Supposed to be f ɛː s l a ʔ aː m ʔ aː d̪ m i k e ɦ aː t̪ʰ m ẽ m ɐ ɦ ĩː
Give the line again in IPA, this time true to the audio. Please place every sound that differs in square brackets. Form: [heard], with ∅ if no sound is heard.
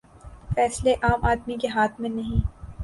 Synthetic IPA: f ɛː s l [e] ʔ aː m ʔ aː d̪ m i k e ɦ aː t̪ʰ m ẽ [n] ɐ ɦ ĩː